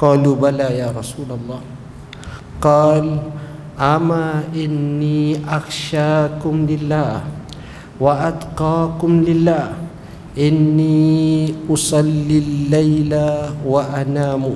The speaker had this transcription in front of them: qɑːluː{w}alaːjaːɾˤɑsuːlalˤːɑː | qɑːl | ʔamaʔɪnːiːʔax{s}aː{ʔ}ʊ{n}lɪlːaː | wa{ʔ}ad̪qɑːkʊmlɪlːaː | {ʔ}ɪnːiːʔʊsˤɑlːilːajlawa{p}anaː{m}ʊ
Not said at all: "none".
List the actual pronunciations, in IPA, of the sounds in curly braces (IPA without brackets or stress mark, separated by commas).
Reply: b, ʃ, k, m, ʔ, ʔ, ʔ, m